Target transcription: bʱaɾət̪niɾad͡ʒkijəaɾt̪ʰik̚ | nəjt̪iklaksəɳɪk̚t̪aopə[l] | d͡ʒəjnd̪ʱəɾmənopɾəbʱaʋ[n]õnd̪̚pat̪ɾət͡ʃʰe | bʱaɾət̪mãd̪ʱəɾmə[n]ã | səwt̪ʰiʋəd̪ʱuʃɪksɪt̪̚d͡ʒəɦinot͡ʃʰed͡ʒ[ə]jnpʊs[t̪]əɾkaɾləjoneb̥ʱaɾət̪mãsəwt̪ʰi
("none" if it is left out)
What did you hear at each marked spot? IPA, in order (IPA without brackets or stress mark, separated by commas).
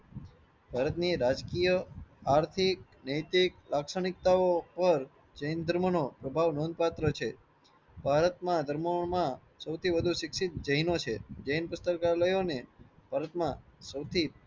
ɾ, n, m, ə, t̪